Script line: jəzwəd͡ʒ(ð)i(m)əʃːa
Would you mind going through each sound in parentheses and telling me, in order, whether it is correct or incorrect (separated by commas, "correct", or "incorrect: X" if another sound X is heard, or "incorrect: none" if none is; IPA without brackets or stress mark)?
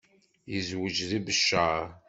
correct, incorrect: b